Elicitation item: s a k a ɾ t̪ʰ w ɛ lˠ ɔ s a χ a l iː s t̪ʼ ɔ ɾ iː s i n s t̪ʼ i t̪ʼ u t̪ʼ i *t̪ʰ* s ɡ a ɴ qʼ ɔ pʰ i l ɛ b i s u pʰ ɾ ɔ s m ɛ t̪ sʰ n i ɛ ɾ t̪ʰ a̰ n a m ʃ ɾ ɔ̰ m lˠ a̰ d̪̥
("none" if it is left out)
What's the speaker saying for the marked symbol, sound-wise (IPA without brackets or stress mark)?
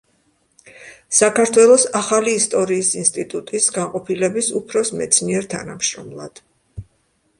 none